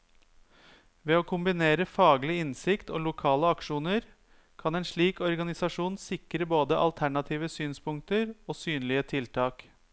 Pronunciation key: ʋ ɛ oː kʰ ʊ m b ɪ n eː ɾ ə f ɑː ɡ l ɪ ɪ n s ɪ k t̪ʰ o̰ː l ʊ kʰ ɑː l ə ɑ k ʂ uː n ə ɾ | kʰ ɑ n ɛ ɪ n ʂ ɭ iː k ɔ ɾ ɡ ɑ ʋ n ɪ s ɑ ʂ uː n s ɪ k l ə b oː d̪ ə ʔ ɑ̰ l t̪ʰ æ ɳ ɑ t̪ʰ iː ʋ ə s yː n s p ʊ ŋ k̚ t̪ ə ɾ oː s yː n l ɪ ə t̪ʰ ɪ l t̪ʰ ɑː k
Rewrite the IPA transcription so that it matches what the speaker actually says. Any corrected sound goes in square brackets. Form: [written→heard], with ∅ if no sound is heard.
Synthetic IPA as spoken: ʋ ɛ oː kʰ ʊ m b ɪ n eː ɾ ə f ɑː ɡ l ɪ ɪ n s ɪ k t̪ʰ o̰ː l ʊ kʰ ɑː l ə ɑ k ʂ uː n ə ɾ | kʰ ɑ n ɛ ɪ n ʂ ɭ iː k ɔ ɾ ɡ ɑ [ʋ→∅] n ɪ s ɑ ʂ uː n s ɪ k [l→ɾ] ə b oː d̪ ə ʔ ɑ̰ l t̪ʰ æ ɳ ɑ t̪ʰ iː ʋ ə s yː n s p ʊ ŋ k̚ t̪ ə ɾ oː s yː n l ɪ ə t̪ʰ ɪ l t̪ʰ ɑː k